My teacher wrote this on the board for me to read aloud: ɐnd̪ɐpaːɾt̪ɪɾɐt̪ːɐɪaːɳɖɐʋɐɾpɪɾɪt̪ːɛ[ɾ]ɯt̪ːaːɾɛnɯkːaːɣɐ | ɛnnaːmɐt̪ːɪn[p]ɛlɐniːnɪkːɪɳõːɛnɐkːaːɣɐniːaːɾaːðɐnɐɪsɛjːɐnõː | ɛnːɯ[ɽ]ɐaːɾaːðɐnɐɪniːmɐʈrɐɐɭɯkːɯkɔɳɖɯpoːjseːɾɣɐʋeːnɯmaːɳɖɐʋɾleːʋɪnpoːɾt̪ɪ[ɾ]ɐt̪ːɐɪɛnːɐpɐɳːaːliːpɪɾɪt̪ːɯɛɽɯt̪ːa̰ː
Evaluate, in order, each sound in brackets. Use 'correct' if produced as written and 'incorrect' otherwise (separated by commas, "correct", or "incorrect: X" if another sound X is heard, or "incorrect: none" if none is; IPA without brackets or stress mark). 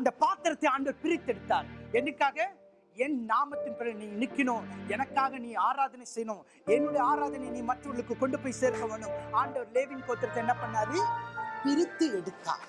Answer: incorrect: ɽ, correct, correct, correct